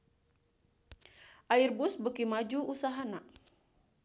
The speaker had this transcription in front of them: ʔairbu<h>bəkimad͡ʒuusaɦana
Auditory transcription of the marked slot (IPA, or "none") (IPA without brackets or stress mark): s